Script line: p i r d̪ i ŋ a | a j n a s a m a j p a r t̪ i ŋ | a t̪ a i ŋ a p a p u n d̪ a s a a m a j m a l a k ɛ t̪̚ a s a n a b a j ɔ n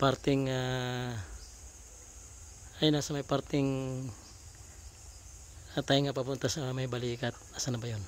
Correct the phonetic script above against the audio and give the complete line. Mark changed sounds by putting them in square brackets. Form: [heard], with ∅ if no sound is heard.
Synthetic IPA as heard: p [a] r [t̪] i ŋ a | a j n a s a m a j p a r t̪ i ŋ | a t̪ a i ŋ a p a p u n [t̪] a s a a m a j [b] a l [i] k [a] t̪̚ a s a n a b a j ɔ n